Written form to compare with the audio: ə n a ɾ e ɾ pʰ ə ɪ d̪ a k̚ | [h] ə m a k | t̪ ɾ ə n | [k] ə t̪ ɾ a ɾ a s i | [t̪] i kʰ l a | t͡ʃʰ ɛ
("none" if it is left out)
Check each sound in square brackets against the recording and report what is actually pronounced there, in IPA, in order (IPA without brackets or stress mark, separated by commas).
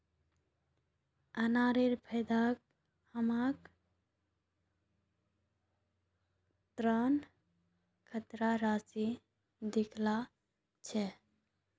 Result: h, kʰ, d̪